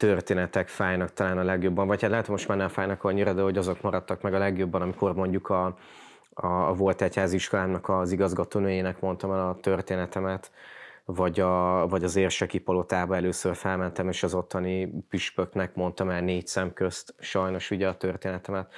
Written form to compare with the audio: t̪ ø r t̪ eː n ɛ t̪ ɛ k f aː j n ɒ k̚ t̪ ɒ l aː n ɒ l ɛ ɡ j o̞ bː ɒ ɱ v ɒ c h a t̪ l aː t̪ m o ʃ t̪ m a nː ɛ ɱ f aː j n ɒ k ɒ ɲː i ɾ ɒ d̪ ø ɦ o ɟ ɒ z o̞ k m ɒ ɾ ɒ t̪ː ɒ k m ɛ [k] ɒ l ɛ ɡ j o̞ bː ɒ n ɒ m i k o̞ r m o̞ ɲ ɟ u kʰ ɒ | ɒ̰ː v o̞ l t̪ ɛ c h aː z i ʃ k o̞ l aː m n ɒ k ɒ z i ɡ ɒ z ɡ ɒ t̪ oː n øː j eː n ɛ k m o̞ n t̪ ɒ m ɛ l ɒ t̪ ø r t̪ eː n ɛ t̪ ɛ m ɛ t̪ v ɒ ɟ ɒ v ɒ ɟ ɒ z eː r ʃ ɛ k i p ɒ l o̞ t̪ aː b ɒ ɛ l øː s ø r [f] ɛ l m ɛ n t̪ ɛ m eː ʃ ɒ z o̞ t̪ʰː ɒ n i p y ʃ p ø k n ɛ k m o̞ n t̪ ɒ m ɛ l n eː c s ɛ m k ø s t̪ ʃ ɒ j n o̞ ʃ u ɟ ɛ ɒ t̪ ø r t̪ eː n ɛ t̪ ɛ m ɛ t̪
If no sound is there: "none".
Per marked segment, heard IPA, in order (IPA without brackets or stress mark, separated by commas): ɡ, f